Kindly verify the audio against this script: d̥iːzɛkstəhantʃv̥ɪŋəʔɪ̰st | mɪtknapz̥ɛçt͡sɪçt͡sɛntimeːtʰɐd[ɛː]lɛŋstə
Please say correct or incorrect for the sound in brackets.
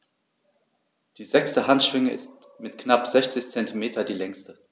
incorrect